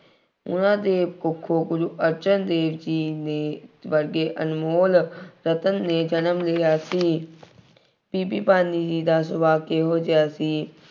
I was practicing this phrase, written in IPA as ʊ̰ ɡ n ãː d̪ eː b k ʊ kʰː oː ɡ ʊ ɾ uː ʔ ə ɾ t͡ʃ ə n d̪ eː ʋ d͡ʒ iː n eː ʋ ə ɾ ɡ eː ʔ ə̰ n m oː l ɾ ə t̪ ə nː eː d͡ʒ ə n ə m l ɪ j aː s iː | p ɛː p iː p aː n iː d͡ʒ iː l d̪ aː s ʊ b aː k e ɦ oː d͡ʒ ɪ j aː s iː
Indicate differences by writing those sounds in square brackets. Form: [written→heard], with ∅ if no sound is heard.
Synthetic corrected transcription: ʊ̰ [ɡ→∅] n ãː d̪ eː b k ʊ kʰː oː ɡ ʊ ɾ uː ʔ ə ɾ t͡ʃ ə n d̪ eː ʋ d͡ʒ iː n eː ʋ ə ɾ ɡ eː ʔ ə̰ n m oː l ɾ ə t̪ ə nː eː d͡ʒ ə n ə m l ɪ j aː s iː | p [ɛː→iː] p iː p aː n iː d͡ʒ iː [l→∅] d̪ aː s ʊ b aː k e ɦ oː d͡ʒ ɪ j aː s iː